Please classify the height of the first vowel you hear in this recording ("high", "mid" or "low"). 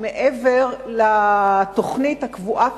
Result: mid